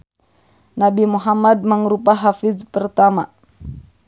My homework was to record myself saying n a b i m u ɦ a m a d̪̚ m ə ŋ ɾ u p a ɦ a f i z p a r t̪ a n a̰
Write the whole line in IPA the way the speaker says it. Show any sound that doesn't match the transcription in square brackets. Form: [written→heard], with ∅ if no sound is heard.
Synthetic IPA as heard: n a b i m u ɦ a m a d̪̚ m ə ŋ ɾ u p a ɦ a f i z p [a→ə] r t̪ a [n→m] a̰